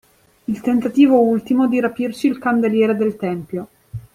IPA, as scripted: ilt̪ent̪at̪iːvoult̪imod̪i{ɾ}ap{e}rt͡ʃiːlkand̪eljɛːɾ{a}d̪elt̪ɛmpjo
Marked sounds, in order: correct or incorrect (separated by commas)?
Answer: correct, incorrect, incorrect